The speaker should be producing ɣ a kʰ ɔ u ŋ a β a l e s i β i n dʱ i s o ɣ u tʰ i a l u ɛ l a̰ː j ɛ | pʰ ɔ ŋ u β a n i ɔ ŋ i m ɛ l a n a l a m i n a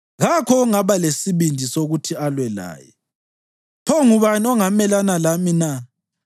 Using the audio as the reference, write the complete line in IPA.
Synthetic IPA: ɣ a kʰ ɔ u ŋ a β a l e s i β i n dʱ i s o ɣ u tʰ i a l w ɛ l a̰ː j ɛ | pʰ ɔ ŋ u β a n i ɔ ŋ a m ɛ l a n a l a m i n a

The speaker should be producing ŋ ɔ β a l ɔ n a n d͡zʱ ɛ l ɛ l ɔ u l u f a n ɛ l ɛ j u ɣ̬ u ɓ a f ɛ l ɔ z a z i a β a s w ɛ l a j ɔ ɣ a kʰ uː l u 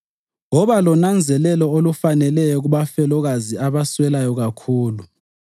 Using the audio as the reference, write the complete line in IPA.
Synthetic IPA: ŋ ɔ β a l ɔ n a n d͡zʱ ɛ l ɛ l ɔ o l u f a n ɛ l ɛ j ɔ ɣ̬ u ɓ a f ɛ l ɔ ɣ a z i a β a s w ɛ l a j ɔ ɣ a kʰ uː l u

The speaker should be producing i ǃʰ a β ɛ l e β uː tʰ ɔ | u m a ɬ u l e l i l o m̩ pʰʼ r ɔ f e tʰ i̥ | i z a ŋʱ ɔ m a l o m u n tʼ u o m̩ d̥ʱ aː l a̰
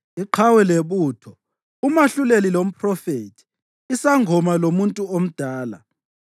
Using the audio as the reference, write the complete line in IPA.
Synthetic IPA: i ǃʰ a w ɛ l e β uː tʰ ɔ | u m a ɬ u l e l i l o m̩ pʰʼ r ɔ f e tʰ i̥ | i s a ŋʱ ɔ m a l o m u n tʼ u o m̩ d̥ʱ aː l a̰

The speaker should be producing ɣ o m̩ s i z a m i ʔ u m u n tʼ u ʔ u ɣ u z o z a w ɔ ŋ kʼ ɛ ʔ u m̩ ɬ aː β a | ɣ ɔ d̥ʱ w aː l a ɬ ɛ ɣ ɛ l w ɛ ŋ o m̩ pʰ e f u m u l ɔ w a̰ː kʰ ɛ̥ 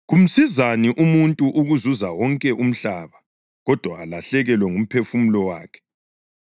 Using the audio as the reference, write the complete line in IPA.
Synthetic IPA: ɣ u m̩ s i z a n i ʔ u m u n tʼ u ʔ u ɣ u z u z a w ɔ ŋ kʼ ɛ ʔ u m̩ ɬ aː β a | ɣ ɔ d̥ʱ w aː l a ɬ ɛ ɣ ɛ l w ɛ ŋ u m̩ pʰ e f u m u l ɔ w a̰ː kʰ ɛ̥

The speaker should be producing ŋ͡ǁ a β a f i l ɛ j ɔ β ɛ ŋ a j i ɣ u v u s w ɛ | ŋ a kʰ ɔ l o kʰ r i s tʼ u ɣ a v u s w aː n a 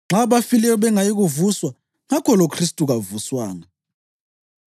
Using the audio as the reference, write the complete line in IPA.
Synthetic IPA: ŋ͡ǁ a β a f i l ɛ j ɔ β ɛ ŋ a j i ɣ u v u s w a | ŋ a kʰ ɔ l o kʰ r i s tʼ u ɣ a v u s w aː ŋ a

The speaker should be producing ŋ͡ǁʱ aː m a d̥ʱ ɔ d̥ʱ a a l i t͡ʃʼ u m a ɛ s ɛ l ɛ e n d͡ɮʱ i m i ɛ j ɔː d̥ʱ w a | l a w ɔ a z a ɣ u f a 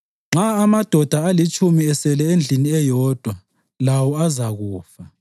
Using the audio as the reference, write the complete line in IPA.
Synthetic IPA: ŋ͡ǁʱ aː m a d̥ʱ ɔ d̥ʱ a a l i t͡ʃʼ u m i ɛ s ɛ l ɛ e n d͡ɮʱ i n i ɛ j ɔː d̥ʱ w a | l a w ɔ a z a ɣ uː f a

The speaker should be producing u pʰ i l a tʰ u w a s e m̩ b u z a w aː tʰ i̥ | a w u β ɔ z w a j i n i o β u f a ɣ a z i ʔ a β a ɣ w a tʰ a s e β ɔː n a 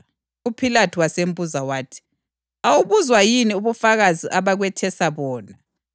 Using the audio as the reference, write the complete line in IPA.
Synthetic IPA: u pʰ i l a tʰ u w a s e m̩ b u z a w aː tʰ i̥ | a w u β u z w a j i n i u β u f a ɣ a z i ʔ a β a ɣ w ɛ tʰ ɛ s a β ɔː n a

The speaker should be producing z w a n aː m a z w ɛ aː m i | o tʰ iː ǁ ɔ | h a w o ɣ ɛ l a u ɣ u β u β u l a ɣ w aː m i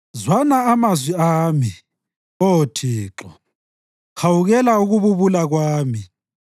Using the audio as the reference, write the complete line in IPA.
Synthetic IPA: z w a n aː m a z w i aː m i | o tʰ iː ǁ ɔ | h a w u ɣ ɛ l a u ɣ u β u β u l a ɣ w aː m i

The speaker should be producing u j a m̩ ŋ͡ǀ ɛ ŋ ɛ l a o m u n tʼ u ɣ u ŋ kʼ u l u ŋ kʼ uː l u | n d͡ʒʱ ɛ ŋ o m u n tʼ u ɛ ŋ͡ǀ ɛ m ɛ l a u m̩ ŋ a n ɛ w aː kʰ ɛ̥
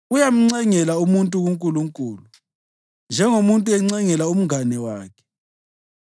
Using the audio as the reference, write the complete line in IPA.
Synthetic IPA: u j a m̩ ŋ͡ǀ ɛ ŋ ɛ l a u m u n tʼ u ɣ u ŋ kʼ u l u ŋ kʼ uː l u | n d͡ʒʱ ɛ ŋ o m u n tʼ u ɛ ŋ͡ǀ ɛ ŋ ɛ l a u m̩ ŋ a n ɛ w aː kʰ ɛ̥

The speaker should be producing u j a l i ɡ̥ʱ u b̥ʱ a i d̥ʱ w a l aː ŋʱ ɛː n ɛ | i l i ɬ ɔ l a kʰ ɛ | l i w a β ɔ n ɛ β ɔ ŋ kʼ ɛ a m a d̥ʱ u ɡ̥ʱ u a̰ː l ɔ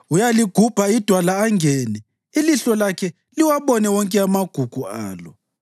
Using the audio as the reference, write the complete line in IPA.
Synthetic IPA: u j a l i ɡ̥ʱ u b̥ʱ a i d̥ʱ w a l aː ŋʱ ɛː n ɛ | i l i ɬ ɔ l a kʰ ɛ | l i w a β ɔ n ɛ w ɔ ŋ kʼ ɛ a m a ɡ̥ʱ u ɡ̥ʱ u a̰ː l ɔ

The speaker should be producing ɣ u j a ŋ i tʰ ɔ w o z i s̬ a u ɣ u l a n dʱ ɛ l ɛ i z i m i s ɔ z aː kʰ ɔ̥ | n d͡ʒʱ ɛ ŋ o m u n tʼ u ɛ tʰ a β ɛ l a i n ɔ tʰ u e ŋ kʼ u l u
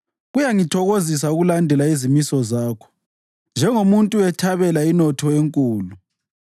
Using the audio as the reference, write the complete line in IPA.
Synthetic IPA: ɣ u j a ŋ i tʰ ɔ ɣ o z i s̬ a u ɣ u l a n dʱ ɛ l a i z i m i s ɔ z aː kʰ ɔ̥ | n d͡ʒʱ ɛ ŋ o m u n tʼ u ɛ tʰ a β ɛ l a i n ɔ tʰ ɔ e ŋ kʼ uː l u

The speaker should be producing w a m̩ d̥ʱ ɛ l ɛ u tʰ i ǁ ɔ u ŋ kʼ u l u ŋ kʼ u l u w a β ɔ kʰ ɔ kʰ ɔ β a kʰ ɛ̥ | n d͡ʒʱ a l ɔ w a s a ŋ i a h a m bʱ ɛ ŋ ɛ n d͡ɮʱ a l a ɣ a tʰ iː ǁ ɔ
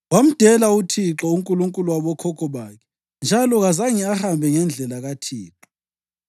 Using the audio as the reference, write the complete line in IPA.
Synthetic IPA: w a m̩ d̥ʱ ɛ l a u tʰ i ǁ ɔ u ŋ kʼ u l u ŋ kʼ u l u w a β ɔ kʰ ɔ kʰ ɔ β a kʰ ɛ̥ | n d͡ʒʱ a l ɔ ɣ a z a ŋ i a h a m bʱ ɛ ŋ ɛ n d͡ɮʱ ɛ l a ɣ a tʰ iː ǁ ɔ

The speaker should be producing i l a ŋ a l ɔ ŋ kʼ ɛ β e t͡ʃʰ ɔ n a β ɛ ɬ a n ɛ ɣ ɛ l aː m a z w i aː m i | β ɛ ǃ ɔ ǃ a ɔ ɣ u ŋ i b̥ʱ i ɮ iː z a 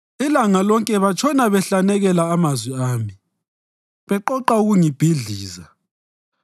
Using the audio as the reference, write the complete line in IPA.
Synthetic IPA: i l a ŋ a l ɔ ŋ kʼ ɛ β a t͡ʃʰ ɔ n a β ɛ ɬ a n ɛ ɣ ɛ l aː m a z w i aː m i | β ɛ ǃ ɔ ǃ a u ɣ u ŋ i b̥ʱ i ɮ iː z a

